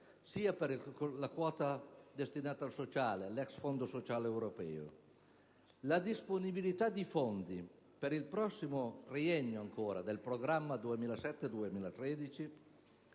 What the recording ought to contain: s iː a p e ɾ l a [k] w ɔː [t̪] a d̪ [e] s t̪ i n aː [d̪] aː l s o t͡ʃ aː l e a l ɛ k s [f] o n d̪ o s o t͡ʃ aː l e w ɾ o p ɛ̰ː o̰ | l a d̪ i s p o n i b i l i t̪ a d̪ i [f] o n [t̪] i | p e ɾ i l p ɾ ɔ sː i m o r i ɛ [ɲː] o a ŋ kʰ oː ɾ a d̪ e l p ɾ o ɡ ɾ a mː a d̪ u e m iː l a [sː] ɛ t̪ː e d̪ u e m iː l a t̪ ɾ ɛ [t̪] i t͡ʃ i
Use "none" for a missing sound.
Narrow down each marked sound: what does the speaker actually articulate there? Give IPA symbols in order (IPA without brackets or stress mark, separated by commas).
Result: k, t̪, e, t̪, f, f, d̪, ɲː, s, d̪